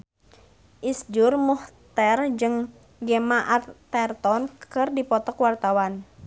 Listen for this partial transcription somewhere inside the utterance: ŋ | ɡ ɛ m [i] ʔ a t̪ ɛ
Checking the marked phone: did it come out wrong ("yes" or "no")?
yes